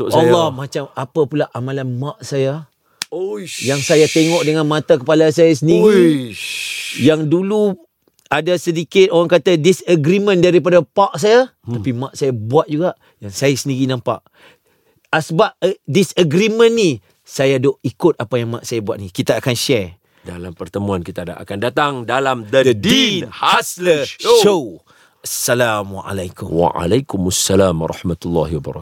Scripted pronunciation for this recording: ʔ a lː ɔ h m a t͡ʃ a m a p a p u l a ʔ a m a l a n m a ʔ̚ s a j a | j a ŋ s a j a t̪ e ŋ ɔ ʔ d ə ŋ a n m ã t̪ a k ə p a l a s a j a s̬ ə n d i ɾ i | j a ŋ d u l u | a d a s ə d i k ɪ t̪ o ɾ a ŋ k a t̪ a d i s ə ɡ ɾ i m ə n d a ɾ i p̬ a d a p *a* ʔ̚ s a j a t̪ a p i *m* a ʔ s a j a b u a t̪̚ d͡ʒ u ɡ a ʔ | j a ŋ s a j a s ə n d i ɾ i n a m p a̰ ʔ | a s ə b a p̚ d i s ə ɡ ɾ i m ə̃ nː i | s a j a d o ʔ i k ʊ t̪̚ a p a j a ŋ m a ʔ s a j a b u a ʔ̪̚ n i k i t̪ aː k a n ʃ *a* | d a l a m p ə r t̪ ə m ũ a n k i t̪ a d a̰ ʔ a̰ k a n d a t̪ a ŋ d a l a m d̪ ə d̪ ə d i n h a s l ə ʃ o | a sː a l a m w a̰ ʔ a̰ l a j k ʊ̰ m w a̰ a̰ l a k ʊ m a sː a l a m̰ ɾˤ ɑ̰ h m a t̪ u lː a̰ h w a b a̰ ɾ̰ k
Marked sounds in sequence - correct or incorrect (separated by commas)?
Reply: correct, correct, incorrect